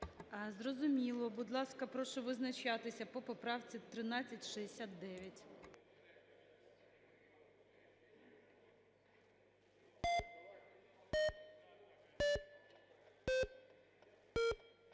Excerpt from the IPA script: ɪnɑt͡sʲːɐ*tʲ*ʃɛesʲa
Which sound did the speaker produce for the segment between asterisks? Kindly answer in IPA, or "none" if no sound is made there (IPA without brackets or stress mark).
tʲ